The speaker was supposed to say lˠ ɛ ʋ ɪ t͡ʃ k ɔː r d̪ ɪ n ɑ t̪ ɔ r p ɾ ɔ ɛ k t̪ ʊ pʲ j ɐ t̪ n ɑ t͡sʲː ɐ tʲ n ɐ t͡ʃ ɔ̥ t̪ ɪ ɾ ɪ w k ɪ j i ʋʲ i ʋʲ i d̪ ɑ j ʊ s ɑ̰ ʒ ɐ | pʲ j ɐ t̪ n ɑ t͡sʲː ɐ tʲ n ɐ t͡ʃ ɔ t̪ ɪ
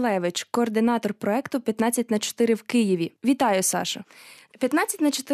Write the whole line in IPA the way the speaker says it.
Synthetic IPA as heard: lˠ ɛ ʋ ɪ t͡ʃ k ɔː r d̪ ɪ n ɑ t̪ ɔ r p ɾ ɔ ɛ k t̪ ʊ pʲ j ɐ t̪ n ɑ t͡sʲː ɐ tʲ n ɐ t͡ʃ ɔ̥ t̪ ɪ ɾ ɪ w k ɪ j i ʋʲ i ʋʲ i t̪ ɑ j ʊ s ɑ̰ ʃ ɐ | pʲ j ɐ t̪ n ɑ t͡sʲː ɐ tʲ n ɐ t͡ʃ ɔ t̪ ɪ